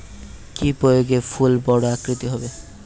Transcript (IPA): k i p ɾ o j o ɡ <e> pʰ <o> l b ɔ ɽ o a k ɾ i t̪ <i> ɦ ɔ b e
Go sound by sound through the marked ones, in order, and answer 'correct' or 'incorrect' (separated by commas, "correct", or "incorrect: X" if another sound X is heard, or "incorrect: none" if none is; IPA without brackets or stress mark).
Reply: correct, incorrect: u, correct